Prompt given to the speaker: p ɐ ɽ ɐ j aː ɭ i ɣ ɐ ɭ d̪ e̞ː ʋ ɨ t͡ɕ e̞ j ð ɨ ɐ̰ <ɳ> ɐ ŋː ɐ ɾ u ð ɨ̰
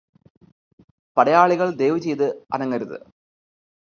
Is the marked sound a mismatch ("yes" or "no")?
yes